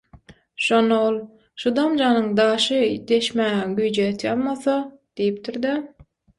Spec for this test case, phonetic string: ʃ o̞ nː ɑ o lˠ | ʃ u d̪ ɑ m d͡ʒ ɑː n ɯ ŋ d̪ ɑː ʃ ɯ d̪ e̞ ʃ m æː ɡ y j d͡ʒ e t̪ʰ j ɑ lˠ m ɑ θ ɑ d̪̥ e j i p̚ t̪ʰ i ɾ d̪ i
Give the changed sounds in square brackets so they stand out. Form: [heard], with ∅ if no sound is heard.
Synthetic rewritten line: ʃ o̞ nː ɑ o lˠ | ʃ u d̪ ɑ m d͡ʒ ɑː n ɯ ŋ d̪ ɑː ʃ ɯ d̪ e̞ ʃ m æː ɡ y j d͡ʒ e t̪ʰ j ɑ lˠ m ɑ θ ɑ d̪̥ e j i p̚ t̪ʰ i ɾ d̪ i